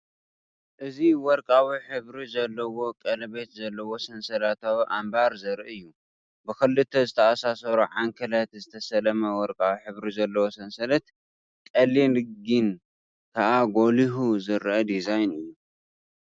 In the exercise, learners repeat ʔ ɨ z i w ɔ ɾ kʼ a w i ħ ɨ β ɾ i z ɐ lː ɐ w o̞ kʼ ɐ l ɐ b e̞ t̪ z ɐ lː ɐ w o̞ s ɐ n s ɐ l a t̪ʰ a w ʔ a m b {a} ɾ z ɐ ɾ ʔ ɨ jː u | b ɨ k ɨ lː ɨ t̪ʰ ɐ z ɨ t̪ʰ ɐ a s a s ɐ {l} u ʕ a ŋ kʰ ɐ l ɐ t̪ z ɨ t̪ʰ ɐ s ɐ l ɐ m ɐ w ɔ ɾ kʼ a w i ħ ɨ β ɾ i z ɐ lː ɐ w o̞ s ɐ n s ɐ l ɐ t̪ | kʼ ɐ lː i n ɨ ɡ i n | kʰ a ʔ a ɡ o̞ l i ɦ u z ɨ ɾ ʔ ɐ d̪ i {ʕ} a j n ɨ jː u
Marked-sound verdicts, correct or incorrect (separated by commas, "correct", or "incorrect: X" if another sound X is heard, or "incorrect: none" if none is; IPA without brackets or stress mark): correct, incorrect: ɾ, incorrect: z